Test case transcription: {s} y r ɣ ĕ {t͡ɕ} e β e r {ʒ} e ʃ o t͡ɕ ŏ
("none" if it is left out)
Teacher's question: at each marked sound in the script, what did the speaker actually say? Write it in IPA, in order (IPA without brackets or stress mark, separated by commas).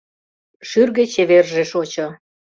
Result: ʃ, t͡ɕ, ʒ